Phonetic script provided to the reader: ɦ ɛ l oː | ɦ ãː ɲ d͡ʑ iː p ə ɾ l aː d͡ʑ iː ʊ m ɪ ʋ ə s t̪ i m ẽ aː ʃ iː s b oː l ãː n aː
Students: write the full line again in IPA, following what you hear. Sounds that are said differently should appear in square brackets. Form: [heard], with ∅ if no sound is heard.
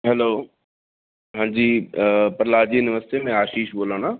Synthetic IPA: ɦ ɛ l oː | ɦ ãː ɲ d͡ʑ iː p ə ɾ l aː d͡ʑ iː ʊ [n] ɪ ʋ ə s t̪ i m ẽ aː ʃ iː [ʃ] b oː l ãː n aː